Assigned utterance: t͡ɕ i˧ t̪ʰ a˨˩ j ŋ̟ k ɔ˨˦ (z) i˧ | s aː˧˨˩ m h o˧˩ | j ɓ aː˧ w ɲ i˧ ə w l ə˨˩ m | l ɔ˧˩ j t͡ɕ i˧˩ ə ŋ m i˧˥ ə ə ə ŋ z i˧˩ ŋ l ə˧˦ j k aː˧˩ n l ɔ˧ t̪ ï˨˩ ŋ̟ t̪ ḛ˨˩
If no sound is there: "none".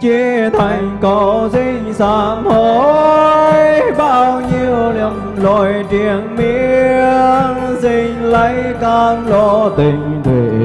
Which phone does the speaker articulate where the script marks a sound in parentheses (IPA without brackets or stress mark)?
z